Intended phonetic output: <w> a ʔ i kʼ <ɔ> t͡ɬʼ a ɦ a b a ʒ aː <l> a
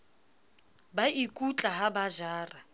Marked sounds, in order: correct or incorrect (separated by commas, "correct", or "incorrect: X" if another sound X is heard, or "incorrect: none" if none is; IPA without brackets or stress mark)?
incorrect: b, incorrect: u, incorrect: r